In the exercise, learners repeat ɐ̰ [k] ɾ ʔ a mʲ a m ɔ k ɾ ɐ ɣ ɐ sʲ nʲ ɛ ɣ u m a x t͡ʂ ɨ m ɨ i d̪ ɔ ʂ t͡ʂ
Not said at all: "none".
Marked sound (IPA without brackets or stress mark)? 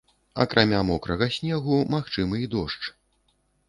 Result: k